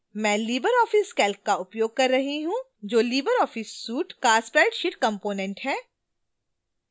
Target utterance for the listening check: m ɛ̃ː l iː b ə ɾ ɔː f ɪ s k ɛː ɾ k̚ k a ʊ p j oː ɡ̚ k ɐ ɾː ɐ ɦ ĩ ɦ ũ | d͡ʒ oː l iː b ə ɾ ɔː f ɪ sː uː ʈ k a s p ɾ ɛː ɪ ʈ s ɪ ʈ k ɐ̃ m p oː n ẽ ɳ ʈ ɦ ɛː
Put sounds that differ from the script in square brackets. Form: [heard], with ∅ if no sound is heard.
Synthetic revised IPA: m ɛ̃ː l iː b ə ɾ ɔː f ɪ s k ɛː [l] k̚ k a ʊ p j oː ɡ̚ k ɐ ɾː ɐ ɦ [i] ɦ ũ | d͡ʒ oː l iː b ə ɾ ɔː f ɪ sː uː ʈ k a s p ɾ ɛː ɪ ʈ [ʃ] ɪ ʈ k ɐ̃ m p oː n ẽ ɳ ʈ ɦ ɛː